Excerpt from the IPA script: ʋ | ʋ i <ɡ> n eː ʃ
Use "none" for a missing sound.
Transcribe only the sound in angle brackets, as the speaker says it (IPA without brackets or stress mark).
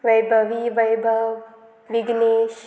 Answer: ɡ